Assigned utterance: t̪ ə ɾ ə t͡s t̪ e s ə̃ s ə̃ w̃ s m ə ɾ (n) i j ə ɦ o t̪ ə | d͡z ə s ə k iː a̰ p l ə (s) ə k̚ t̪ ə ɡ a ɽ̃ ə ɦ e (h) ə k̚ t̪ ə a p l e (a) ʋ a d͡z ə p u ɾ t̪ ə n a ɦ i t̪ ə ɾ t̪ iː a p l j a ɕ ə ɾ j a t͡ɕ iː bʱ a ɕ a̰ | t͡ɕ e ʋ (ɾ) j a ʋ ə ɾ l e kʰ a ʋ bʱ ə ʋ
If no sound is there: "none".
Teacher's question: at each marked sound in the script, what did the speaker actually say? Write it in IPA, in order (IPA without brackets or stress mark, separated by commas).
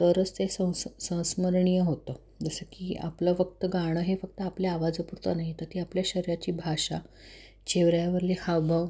ɳ, f, f, a, ɾ